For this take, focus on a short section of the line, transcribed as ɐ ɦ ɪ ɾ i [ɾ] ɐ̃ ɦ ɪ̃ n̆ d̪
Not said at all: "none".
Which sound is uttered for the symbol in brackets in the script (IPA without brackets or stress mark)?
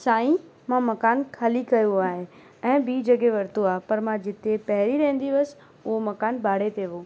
ɾ